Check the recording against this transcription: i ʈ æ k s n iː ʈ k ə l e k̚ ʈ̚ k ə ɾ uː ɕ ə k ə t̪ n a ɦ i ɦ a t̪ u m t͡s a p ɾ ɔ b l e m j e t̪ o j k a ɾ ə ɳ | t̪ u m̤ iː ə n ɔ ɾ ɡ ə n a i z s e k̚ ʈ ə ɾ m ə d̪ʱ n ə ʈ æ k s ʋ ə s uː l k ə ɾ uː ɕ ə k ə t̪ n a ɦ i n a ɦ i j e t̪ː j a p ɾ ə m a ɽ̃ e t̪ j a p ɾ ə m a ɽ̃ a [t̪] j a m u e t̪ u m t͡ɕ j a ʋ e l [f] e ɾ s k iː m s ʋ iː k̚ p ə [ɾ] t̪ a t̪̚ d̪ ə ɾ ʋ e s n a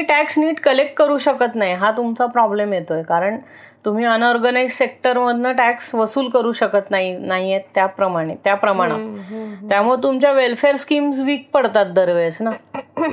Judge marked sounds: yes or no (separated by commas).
yes, yes, no